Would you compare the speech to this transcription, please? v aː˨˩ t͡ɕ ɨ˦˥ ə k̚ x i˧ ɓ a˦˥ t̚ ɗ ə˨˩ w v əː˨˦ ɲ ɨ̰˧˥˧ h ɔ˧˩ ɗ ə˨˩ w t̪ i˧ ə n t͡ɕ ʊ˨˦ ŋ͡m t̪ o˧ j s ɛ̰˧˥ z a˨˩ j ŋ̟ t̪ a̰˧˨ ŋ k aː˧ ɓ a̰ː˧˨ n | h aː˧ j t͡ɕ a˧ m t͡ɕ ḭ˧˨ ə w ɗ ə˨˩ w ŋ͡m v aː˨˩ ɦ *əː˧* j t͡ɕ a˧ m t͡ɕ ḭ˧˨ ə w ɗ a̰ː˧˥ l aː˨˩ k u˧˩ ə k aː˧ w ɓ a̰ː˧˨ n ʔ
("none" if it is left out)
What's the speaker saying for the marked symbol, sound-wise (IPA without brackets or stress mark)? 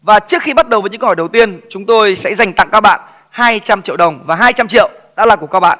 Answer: aː˧